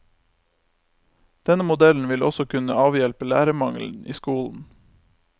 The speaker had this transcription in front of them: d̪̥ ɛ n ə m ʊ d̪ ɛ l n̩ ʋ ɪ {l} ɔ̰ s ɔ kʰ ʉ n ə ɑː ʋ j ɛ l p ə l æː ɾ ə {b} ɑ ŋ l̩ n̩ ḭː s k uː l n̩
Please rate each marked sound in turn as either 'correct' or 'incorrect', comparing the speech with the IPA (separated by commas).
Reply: correct, incorrect